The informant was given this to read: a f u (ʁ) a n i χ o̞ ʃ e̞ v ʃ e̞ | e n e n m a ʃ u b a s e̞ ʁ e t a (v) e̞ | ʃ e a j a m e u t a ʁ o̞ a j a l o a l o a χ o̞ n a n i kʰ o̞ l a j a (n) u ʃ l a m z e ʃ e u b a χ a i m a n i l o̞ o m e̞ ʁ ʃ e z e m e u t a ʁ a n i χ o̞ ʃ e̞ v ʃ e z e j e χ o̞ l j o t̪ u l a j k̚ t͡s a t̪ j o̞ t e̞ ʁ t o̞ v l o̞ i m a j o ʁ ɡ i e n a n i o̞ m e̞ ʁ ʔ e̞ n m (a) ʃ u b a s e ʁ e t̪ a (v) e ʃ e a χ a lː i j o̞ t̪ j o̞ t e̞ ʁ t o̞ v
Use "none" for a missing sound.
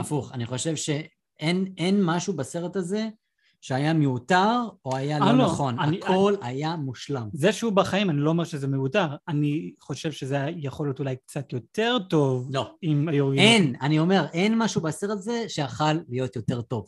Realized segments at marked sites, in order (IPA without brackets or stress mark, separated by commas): χ, z, m, a, z